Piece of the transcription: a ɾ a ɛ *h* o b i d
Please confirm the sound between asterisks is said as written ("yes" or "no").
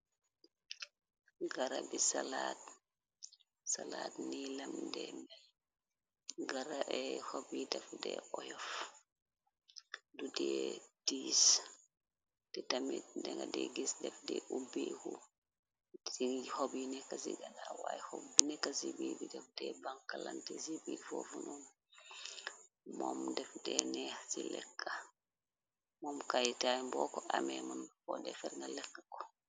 yes